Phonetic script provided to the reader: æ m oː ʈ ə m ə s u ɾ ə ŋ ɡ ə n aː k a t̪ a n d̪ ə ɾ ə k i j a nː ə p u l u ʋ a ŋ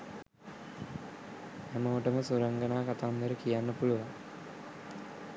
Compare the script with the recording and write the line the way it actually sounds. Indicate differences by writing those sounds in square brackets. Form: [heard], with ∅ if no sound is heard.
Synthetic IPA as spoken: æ m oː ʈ ə m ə s u ɾ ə ŋ ɡ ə n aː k a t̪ a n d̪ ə ɾ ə k i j a nː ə p u l u ʋ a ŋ